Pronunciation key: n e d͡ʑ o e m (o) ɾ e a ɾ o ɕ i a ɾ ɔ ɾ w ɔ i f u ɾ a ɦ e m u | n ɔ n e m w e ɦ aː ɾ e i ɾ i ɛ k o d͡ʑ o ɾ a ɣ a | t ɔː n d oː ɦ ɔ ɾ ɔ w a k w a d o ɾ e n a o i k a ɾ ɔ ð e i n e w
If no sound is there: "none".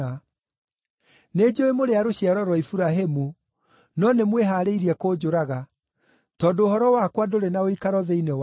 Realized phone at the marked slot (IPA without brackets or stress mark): o